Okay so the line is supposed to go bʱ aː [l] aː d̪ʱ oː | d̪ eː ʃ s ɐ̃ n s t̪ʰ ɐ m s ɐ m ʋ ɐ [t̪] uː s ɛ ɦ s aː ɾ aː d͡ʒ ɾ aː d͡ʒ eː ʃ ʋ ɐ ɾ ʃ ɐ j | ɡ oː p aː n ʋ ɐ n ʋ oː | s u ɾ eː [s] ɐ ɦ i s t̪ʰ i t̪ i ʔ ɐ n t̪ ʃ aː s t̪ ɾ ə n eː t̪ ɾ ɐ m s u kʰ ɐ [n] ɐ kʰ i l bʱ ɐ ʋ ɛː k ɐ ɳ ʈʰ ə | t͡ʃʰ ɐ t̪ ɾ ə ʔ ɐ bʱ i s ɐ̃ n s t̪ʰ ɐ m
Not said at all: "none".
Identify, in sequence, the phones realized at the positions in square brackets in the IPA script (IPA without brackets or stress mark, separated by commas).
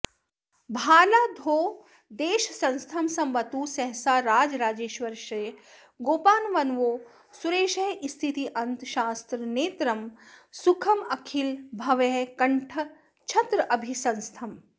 l, t̪, ʃ, m